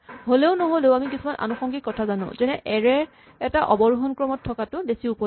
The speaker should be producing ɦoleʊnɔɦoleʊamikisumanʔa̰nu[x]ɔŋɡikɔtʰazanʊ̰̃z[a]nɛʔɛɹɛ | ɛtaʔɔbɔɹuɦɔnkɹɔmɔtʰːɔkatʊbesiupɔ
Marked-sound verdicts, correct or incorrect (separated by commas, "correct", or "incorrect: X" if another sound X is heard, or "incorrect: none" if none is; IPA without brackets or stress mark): correct, incorrect: ɛ